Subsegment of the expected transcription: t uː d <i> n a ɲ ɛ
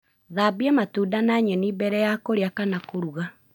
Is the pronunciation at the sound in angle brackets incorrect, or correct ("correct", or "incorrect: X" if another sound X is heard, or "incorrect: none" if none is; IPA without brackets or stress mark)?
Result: incorrect: a